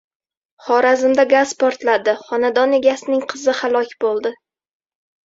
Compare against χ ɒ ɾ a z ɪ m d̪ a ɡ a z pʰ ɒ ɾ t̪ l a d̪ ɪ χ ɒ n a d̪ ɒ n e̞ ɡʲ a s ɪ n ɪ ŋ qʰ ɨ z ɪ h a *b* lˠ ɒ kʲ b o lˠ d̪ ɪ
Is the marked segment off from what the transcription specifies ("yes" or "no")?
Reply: yes